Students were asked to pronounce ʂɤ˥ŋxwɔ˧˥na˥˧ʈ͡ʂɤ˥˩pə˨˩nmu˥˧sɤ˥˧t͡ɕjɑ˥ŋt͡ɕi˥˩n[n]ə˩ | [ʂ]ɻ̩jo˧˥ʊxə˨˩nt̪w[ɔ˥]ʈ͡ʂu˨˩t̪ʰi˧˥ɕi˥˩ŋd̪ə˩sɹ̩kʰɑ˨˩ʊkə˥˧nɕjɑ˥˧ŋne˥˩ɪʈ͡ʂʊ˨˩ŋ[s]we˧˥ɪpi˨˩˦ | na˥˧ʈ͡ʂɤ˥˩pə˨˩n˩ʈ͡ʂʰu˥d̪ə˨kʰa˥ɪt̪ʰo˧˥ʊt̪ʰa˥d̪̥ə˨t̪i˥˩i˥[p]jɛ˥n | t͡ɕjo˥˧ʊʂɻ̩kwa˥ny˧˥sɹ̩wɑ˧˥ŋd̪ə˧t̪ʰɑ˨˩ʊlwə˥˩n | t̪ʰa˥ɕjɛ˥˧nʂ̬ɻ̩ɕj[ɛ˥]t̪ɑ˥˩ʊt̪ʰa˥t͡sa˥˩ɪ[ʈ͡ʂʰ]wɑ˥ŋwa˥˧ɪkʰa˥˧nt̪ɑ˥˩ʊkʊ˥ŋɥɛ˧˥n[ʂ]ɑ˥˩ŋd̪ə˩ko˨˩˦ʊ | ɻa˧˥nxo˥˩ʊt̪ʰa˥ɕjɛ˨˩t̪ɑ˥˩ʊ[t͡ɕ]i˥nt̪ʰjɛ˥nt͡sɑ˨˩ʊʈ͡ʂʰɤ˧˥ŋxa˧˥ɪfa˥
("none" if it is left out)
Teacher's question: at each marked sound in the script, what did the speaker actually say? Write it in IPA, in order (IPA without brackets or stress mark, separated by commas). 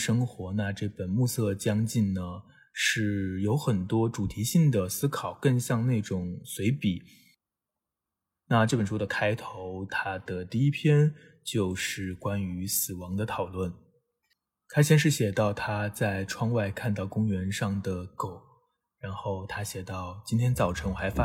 n, ʂ, ɔ˥, s, pʰ, ɛ˨˩, ʈ͡ʂʰ, ʂ, t͡ɕ